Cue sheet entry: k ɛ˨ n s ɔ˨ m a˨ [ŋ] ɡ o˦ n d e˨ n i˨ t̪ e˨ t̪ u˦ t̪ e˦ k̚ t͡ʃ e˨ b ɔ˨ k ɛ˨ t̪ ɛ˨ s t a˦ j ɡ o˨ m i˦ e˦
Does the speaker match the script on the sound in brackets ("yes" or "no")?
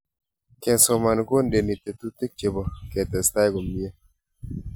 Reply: no